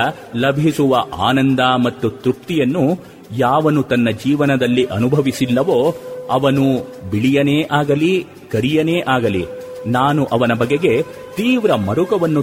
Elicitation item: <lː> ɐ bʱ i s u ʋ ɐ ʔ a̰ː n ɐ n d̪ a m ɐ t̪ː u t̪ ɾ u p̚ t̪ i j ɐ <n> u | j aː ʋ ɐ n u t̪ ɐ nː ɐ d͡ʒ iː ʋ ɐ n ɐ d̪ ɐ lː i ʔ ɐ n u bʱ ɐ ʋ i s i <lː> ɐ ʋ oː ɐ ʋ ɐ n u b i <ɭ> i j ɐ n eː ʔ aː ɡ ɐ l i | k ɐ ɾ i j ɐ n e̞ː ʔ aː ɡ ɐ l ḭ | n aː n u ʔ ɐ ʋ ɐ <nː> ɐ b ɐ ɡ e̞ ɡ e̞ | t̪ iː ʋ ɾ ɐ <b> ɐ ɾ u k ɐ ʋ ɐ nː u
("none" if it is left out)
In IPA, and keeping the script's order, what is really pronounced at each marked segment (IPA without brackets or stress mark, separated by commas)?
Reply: l, nː, lː, ɭ, n, m